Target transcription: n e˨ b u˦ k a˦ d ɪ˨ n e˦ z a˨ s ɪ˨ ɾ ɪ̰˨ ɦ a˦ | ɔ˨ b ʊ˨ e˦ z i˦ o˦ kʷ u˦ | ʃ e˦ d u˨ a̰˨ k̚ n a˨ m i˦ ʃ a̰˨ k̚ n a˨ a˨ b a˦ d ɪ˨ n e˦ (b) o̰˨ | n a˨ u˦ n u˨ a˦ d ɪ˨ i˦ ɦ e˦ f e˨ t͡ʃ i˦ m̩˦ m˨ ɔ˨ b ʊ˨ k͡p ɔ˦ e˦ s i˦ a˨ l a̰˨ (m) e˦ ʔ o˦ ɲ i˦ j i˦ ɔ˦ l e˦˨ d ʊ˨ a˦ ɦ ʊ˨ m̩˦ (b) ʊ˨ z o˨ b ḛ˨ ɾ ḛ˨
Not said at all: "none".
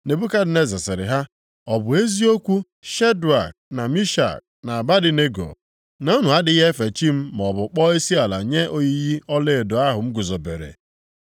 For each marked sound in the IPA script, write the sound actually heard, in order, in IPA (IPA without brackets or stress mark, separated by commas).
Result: ɡ, ɲ, ɡ